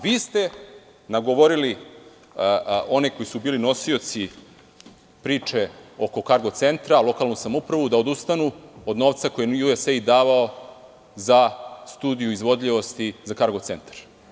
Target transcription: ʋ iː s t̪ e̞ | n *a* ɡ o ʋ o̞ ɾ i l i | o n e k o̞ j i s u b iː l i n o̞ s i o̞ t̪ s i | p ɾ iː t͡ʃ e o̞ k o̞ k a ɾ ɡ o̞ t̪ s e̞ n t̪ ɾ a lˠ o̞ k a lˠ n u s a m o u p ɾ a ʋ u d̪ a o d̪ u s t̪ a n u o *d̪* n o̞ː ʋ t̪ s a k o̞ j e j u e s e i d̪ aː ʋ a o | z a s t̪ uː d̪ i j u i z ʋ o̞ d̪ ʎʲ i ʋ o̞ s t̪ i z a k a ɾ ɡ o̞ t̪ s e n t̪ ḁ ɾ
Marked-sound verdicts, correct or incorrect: correct, correct

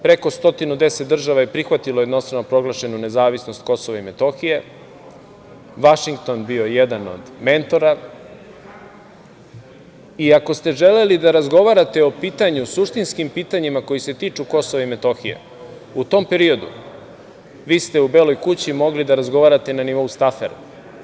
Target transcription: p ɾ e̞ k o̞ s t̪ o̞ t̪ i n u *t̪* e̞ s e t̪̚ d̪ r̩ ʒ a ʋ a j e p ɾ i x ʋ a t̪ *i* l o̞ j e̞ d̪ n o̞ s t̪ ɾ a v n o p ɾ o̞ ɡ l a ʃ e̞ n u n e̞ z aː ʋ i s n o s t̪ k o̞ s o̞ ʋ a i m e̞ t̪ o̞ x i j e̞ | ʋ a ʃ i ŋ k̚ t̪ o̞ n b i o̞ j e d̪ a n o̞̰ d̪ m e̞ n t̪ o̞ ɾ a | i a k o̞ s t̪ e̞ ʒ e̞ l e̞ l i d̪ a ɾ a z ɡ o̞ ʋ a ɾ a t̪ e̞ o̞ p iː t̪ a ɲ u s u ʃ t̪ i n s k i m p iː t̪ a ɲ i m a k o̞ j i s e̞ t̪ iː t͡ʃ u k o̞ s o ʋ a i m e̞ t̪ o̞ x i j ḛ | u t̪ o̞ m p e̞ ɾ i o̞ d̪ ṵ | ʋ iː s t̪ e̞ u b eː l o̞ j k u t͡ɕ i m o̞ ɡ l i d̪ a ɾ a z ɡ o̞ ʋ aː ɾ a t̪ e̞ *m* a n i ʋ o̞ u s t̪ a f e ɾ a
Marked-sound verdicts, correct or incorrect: incorrect: d̪, correct, incorrect: n

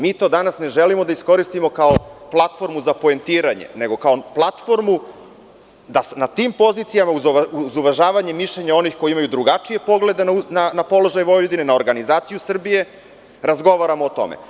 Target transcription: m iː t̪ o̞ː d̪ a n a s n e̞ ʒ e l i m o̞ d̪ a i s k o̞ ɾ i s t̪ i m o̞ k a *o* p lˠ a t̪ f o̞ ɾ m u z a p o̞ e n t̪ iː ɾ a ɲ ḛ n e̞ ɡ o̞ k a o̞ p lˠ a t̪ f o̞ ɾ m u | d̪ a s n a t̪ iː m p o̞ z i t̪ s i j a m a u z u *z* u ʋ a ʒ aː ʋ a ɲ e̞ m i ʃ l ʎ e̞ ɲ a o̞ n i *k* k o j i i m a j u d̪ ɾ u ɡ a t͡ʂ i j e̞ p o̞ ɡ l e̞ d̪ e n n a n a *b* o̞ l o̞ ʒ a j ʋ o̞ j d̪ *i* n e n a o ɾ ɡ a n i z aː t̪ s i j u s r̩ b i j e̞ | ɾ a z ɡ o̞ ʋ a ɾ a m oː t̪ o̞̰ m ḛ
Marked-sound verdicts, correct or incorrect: correct, correct, incorrect: x, incorrect: p, correct

